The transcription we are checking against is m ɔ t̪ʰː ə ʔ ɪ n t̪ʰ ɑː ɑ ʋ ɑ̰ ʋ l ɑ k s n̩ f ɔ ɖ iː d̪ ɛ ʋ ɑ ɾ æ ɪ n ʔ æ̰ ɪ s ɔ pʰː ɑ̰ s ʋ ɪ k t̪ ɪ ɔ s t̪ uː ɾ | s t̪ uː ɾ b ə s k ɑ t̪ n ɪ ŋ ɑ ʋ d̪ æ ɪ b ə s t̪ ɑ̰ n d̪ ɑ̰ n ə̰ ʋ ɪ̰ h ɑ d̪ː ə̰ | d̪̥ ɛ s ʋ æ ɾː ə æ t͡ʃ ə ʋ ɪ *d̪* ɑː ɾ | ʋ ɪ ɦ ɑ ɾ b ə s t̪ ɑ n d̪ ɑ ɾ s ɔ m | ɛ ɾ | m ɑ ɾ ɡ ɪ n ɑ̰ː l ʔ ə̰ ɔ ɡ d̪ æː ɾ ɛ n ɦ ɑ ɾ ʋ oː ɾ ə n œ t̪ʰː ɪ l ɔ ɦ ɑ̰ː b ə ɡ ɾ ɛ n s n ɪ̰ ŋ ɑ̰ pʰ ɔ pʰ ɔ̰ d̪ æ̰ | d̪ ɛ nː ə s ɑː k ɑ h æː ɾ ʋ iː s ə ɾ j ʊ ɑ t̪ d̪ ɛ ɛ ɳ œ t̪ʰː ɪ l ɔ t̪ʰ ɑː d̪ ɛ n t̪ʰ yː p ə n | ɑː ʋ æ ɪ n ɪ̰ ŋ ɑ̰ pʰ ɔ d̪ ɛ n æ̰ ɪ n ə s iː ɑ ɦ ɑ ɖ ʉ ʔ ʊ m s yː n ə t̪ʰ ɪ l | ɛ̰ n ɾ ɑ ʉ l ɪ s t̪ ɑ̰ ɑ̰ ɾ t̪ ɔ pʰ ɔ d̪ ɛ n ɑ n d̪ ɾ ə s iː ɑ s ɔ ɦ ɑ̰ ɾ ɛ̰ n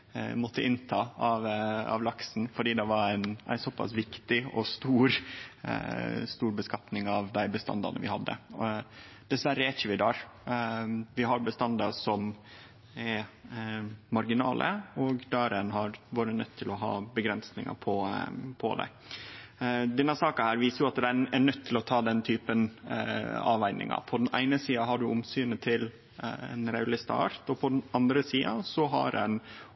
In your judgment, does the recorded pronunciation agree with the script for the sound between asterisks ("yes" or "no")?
yes